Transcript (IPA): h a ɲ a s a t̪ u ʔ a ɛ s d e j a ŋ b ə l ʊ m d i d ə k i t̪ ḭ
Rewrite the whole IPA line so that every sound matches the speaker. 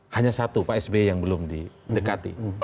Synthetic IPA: h a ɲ a s a t̪ u p a ɛ s b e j a ŋ b ə l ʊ m d i d ə k a t̪ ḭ